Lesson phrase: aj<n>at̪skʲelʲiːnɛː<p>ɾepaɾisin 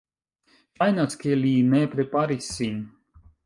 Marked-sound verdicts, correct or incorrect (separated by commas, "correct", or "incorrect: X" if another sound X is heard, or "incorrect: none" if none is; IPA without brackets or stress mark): correct, correct